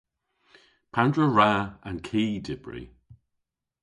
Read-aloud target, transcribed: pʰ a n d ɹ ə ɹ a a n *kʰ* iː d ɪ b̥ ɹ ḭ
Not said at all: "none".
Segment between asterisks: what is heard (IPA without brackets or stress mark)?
kʰ